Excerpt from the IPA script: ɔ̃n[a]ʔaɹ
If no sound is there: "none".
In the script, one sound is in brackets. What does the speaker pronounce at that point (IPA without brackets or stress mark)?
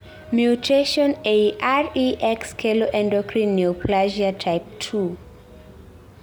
e